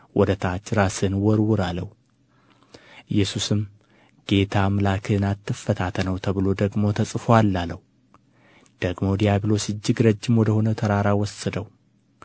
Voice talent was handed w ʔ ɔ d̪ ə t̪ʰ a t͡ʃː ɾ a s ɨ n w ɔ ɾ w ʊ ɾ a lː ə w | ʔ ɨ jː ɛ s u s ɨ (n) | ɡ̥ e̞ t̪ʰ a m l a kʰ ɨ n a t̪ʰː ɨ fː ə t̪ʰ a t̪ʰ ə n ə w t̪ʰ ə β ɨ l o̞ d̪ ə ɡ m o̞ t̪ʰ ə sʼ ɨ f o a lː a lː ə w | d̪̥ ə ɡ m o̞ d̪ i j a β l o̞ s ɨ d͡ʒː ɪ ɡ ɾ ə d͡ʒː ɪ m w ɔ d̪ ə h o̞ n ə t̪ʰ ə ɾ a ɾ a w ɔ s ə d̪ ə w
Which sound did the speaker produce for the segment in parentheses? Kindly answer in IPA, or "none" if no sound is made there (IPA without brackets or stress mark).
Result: m